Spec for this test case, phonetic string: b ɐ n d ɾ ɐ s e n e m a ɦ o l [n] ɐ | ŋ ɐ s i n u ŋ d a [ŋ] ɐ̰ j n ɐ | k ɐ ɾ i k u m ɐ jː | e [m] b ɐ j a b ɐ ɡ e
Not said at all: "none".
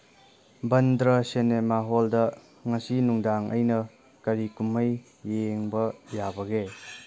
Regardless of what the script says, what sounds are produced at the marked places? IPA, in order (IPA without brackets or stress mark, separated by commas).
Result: d, ŋ, ŋ